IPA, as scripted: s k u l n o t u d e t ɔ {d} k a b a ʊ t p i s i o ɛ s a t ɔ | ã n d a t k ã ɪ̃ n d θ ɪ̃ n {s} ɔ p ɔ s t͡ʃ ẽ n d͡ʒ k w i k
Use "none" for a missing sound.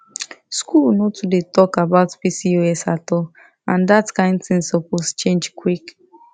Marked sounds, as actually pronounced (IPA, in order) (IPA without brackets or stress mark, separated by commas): none, s